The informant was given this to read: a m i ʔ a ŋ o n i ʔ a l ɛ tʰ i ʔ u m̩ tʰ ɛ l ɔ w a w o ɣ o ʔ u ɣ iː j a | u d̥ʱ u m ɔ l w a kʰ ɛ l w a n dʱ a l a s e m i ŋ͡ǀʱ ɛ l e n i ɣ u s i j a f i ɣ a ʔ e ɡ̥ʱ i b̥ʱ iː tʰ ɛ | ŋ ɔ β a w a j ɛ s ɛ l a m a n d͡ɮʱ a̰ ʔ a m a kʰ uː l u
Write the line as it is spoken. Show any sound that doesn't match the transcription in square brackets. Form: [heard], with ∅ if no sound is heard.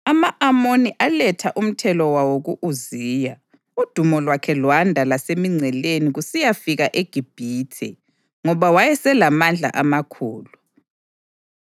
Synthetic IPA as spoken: a m [a] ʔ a [m] o n i ʔ a l ɛ tʰ [a] ʔ u m̩ tʰ ɛ l ɔ w a w o ɣ [u] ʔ u [z] iː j a | u d̥ʱ u m ɔ l w a kʰ ɛ l w a n dʱ a l a s e m i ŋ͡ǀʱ ɛ l e n i ɣ u s i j a f i ɣ a ʔ e ɡ̥ʱ i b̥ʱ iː tʰ ɛ | ŋ ɔ β a w a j ɛ s ɛ l a m a n d͡ɮʱ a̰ ʔ a m a kʰ uː l u